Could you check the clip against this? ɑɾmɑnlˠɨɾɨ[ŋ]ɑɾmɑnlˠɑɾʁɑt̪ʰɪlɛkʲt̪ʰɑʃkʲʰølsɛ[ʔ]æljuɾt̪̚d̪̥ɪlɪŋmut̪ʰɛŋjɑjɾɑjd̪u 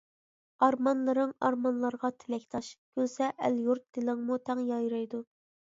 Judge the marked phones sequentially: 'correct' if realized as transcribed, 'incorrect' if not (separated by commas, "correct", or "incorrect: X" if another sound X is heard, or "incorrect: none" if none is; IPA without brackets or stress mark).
correct, correct